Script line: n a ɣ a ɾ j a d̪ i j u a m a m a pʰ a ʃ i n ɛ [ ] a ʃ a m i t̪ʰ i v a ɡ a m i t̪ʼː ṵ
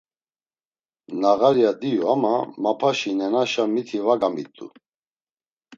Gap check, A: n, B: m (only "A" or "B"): A